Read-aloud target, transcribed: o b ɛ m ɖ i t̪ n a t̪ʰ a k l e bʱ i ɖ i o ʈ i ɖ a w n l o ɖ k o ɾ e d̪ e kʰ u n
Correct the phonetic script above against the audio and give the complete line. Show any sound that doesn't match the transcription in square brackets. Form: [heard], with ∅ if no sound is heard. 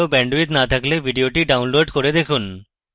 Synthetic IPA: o b ɛ [ɳ] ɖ i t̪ n a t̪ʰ a k l e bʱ i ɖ i o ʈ i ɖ a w n l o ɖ k o ɾ e d̪ e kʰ u n